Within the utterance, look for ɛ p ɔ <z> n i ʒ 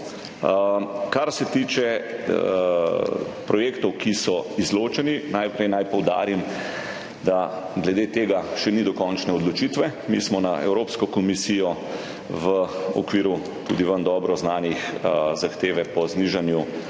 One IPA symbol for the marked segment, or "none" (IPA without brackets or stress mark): z